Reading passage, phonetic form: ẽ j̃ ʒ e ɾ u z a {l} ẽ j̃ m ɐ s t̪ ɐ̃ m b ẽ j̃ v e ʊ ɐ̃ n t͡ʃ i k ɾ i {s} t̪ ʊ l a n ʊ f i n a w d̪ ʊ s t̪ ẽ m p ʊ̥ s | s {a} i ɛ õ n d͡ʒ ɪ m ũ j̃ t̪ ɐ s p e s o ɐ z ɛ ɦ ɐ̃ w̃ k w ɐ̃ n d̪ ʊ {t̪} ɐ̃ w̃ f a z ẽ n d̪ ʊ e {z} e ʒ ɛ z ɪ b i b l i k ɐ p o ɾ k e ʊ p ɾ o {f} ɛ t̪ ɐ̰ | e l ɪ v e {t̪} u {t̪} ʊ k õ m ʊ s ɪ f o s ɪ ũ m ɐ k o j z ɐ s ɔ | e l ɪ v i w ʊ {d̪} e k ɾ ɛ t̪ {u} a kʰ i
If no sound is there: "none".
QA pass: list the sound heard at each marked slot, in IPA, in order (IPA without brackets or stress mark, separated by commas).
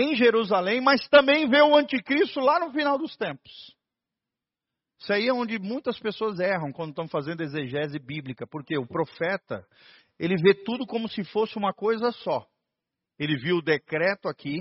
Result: l, s, a, t̪, z, f, t̪, d̪, d̪, ʊ